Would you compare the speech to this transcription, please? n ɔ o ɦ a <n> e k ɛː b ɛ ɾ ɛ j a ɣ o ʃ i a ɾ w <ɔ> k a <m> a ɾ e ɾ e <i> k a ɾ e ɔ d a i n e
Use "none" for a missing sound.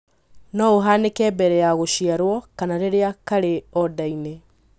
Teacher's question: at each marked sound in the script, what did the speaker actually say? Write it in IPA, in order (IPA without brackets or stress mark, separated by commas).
n, ɔ, n, a